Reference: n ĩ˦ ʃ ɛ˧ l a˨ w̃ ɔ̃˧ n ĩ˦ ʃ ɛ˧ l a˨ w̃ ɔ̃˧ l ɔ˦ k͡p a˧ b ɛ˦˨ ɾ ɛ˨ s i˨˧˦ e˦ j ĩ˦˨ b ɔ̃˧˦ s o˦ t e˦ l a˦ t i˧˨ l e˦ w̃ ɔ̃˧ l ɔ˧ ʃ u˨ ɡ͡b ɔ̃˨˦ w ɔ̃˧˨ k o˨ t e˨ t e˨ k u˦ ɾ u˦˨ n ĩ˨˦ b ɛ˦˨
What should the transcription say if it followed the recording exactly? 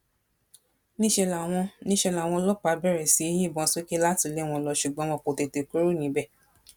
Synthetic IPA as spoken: n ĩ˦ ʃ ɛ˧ l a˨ w̃ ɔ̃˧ n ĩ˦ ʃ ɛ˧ l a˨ w̃ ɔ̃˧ l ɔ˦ k͡p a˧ b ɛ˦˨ ɾ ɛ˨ s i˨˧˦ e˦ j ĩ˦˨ b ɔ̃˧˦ s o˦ k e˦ l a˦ t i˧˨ l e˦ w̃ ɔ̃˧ l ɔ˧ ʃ u˨ ɡ͡b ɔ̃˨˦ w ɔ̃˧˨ k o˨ t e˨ t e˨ k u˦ ɾ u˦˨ n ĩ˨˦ b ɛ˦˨